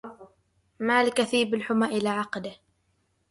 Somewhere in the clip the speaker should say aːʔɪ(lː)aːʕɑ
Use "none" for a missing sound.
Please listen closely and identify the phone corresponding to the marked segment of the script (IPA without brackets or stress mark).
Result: l